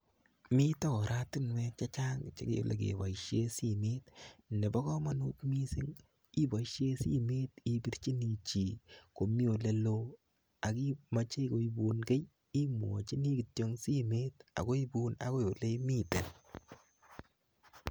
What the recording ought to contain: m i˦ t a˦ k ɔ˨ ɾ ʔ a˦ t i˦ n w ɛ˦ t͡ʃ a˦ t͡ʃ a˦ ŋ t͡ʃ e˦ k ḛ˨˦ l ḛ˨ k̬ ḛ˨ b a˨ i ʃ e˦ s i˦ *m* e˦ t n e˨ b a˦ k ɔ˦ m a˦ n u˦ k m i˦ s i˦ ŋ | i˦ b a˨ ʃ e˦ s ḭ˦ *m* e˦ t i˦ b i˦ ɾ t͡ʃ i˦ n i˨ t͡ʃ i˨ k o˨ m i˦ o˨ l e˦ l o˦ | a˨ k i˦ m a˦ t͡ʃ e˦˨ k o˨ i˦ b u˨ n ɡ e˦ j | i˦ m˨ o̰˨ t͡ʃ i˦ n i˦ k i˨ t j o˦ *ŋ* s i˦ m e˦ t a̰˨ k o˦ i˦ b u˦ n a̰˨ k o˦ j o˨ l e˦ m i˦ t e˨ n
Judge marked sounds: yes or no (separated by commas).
yes, yes, yes